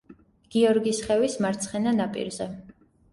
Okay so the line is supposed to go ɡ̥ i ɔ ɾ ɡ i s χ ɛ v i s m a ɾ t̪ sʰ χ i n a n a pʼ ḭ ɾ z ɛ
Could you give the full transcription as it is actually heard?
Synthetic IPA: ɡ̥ i ɔ ɾ ɡ i s χ ɛ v i s m a ɾ t̪ sʰ χ ɛ n a n a pʼ ḭ ɾ z ɛ